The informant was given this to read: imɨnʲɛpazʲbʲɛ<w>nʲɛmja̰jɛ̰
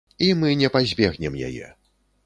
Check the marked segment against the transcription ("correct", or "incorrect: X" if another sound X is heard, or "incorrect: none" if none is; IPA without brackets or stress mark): incorrect: ɣ